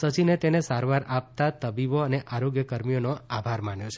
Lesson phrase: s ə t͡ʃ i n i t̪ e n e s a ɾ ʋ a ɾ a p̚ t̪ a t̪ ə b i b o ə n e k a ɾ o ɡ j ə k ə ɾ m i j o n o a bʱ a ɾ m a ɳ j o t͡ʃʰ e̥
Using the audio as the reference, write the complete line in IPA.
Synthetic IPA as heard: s ə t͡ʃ i n e t̪ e n e s a ɾ ʋ a ɾ a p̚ t̪ a t̪ ə b i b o ə n e ʔ a ɾ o ɡ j ə k ə ɾ m i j o n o a bʱ a ɾ m a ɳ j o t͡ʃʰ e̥